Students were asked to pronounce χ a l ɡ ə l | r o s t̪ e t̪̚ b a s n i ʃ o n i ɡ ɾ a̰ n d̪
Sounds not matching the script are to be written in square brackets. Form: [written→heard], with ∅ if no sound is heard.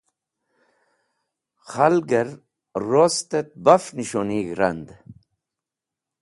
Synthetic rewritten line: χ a l ɡ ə [l→ɾ] | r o s t̪ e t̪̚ b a [s→f] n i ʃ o n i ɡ ɾ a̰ n d̪